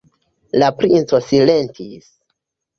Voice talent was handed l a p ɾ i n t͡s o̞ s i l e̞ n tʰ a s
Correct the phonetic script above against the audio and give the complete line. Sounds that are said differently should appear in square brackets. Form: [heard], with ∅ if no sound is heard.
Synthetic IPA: l a p ɾ i n t͡s o̞ s i l e̞ n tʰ [i] s